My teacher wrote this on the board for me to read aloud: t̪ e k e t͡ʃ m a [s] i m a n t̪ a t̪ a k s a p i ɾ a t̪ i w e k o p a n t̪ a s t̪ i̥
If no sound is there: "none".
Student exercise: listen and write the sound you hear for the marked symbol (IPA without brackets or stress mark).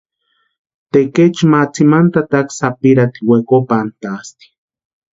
t͡s